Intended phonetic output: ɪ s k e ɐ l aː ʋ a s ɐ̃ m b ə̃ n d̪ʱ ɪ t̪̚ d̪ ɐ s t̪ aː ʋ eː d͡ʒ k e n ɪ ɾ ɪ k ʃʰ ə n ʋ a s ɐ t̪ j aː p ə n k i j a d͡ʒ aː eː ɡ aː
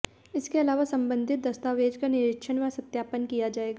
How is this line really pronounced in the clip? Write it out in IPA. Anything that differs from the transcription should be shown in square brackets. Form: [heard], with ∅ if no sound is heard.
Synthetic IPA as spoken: ɪ s k e ɐ l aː ʋ a s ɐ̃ m b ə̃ n d̪ʱ ɪ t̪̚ d̪ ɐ s t̪ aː ʋ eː d͡ʒ k [a] n ɪ ɾ ɪ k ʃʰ ə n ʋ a s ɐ t̪ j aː p ə n k i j a d͡ʒ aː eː ɡ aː